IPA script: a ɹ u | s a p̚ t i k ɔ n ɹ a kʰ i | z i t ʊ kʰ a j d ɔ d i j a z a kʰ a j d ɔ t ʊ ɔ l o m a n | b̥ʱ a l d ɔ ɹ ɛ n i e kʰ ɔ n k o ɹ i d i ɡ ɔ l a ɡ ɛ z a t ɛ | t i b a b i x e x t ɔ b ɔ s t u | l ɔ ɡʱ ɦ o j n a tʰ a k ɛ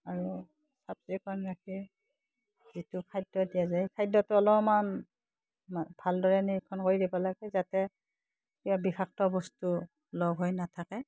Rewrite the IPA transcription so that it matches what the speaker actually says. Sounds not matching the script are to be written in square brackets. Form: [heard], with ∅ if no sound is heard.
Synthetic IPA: a ɹ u | s a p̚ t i k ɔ n ɹ a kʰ i | z i t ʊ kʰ a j d ɔ d i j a z a kʰ a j d ɔ t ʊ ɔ l [ɔ] m a n | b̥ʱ a l d ɔ ɹ ɛ n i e kʰ ɔ n k o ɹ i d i [b] ɔ l a ɡ ɛ z a t ɛ | [k] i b a b i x [a] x t ɔ b ɔ s t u | l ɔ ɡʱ ɦ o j n a tʰ a k ɛ

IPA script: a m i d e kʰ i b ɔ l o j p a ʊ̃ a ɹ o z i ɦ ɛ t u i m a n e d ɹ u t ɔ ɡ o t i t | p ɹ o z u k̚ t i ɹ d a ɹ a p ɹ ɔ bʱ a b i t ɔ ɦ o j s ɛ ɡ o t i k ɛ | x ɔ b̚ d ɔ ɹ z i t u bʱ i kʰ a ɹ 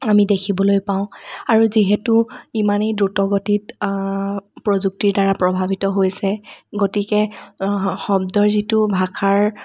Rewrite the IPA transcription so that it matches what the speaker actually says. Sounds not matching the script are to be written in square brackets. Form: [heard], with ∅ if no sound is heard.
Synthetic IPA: a m i d e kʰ i b ɔ l o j p a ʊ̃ a ɹ [u] z i ɦ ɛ t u i m a n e d ɹ u t ɔ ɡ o t i t | p ɹ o z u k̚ t i ɹ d a ɹ a p ɹ ɔ bʱ a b i t ɔ ɦ o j s ɛ ɡ o t i k ɛ | x ɔ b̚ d ɔ ɹ z i t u bʱ [a] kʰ a ɹ

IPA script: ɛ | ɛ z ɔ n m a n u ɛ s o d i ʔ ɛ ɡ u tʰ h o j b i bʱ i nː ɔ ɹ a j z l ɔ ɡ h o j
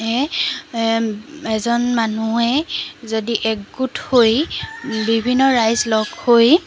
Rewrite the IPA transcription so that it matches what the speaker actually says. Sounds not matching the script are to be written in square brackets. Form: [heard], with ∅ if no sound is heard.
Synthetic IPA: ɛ | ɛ z ɔ n m a n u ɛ [z] o d i ʔ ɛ ɡ u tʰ h o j b i bʱ i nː ɔ ɹ a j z l ɔ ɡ h o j

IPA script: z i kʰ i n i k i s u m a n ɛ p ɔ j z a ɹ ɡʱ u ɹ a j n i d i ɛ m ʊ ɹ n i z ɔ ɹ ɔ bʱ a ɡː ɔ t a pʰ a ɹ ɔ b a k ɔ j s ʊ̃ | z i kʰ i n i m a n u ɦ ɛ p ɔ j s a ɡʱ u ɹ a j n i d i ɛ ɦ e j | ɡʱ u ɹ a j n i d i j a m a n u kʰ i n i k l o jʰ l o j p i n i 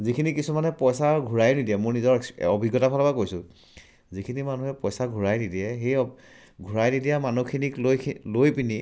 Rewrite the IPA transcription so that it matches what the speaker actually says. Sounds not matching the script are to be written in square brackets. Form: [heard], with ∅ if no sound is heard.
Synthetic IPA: z i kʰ i n i k i s u m a n ɛ p ɔ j [s] a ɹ ɡʱ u ɹ a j n i d i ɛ m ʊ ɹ n i z ɔ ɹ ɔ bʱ [i] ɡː ɔ t a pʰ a [l] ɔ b a k [o] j s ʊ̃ | z i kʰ i n i m a n u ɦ ɛ p ɔ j s a ɡʱ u ɹ a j n i d i ɛ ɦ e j | ɡʱ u ɹ a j n i d i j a m a n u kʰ i n i k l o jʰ l o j p i n i

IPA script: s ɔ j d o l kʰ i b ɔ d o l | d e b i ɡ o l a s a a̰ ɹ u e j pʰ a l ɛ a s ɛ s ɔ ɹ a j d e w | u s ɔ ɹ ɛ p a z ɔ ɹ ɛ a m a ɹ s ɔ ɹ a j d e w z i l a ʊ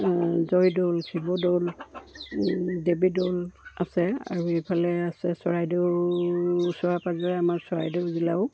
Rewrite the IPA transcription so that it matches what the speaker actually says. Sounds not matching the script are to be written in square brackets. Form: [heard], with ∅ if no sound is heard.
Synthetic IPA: [z] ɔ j d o l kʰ i b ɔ d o l | d e b i [d] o l a s [ɛ] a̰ ɹ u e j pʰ a l ɛ a s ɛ s ɔ ɹ a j d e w | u s ɔ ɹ [a] p a z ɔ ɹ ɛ a m a ɹ s ɔ ɹ a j d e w z i l a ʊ

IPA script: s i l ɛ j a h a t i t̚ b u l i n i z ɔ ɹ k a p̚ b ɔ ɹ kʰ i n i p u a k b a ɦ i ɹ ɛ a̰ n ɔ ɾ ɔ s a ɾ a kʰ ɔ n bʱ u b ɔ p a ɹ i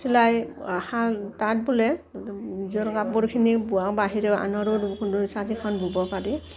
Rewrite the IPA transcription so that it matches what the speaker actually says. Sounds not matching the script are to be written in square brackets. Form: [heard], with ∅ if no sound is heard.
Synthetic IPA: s i l [a] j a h a t [a] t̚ b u l [ɛ] n i z ɔ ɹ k a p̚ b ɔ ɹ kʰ i n i [b] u a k b a ɦ i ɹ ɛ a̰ n ɔ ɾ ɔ s a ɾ [i] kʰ ɔ n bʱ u b ɔ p a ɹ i

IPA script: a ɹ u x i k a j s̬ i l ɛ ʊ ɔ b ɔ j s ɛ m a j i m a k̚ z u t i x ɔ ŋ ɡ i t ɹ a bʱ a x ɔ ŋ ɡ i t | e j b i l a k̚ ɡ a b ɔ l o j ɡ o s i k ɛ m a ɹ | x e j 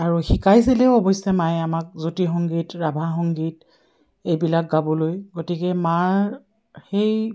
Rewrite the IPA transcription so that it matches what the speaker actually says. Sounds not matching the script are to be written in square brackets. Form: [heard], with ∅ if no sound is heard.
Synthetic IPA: a ɹ u x i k a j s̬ i l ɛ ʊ ɔ b ɔ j s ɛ m a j [a] m a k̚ z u t i x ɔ ŋ ɡ i t ɹ a bʱ a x ɔ ŋ ɡ i t | e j b i l a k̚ ɡ a b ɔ l o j ɡ o [t] i k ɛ m a ɹ | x e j

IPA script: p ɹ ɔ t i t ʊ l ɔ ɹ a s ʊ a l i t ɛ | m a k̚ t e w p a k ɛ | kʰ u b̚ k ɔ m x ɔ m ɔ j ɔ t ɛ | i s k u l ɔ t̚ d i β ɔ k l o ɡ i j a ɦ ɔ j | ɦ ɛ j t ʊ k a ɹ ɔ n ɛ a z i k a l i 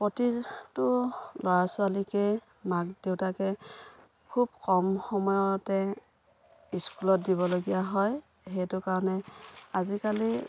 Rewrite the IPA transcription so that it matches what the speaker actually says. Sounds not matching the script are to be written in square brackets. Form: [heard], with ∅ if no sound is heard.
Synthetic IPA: p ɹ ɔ t i t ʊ l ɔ ɹ a s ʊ a l i [k] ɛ | m a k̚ [d] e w [t] a k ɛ | kʰ u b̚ k ɔ m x ɔ m ɔ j ɔ t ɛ | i s k u l ɔ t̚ d i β ɔ [∅] l o ɡ i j a ɦ ɔ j | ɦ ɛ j t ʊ k a ɹ ɔ n ɛ a z i k a l i

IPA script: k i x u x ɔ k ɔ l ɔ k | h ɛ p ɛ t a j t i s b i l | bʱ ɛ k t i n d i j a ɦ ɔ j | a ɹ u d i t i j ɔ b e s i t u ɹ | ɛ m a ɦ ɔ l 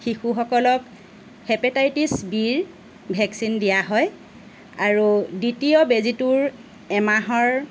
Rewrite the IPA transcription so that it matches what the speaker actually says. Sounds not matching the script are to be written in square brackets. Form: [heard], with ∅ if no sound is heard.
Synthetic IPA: [x] i x u x ɔ k ɔ l ɔ k | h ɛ p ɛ t a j t i s b i [ɹ] | bʱ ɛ k [s] i n d i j a ɦ ɔ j | a ɹ u d i t i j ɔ b e [z] i t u ɹ | ɛ m a ɦ ɔ [ɹ]

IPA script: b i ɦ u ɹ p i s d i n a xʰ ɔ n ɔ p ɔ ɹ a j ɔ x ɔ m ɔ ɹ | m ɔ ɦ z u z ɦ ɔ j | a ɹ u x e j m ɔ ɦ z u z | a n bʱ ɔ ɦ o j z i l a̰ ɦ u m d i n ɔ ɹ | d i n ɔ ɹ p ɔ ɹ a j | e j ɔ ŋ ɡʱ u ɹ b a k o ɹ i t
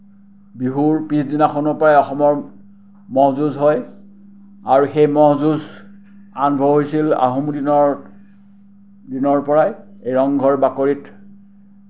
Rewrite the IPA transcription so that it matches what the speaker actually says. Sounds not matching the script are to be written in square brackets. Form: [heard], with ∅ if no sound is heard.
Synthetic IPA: b i ɦ u ɹ p i s d i n a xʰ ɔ n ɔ p ɔ ɹ a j ɔ x ɔ m ɔ ɹ | m ɔ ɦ z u z ɦ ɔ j | a ɹ u x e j m ɔ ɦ z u z | a n bʱ ɔ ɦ o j [s] i l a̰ ɦ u m d i n ɔ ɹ | d i n ɔ ɹ p ɔ ɹ a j | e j ɔ ŋ ɡʱ [ɔ] ɹ b a k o ɹ i t

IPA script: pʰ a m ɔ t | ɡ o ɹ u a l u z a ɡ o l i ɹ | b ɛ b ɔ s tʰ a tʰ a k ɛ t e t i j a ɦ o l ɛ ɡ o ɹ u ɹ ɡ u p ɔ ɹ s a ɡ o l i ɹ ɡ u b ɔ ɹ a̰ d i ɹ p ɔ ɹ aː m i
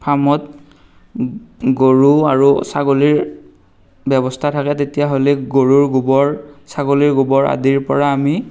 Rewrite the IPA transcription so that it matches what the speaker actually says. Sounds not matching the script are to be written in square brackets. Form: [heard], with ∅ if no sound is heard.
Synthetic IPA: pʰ a m ɔ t | ɡ o ɹ u a [ɹ] u [s] a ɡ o l i ɹ | b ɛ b ɔ s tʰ a tʰ a k ɛ t e t i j a ɦ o l ɛ ɡ o ɹ u ɹ ɡ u [b] ɔ ɹ s a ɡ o l i ɹ ɡ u b ɔ ɹ a̰ d i ɹ p ɔ ɹ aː m i

